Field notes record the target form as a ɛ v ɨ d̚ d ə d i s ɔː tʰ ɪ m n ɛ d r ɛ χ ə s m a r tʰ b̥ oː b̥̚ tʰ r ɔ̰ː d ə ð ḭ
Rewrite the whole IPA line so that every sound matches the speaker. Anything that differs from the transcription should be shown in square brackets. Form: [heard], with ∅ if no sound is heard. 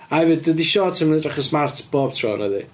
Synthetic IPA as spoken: a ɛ v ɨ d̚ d ə d i [ʃ] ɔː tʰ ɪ m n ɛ d r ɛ χ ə s m a r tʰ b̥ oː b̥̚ tʰ r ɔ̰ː [n] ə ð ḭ